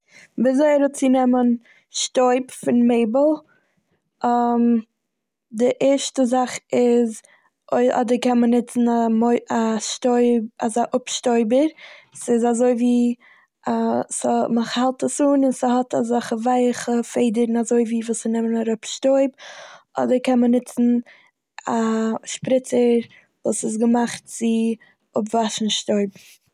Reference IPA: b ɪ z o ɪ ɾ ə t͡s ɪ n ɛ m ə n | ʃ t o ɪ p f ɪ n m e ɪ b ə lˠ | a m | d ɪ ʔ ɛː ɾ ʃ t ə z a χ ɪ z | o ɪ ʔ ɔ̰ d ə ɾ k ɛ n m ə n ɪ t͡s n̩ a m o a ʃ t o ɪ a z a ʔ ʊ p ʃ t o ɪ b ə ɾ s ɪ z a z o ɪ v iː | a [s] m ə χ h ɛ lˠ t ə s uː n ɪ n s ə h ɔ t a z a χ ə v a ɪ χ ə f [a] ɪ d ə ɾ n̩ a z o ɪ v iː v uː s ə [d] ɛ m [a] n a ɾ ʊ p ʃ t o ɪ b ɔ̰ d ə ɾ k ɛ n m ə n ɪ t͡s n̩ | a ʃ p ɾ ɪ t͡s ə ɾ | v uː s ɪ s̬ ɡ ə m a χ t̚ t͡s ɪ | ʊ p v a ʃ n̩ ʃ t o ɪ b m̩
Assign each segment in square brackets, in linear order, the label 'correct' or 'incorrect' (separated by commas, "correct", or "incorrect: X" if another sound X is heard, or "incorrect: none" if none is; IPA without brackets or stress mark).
correct, incorrect: e, incorrect: n, incorrect: ə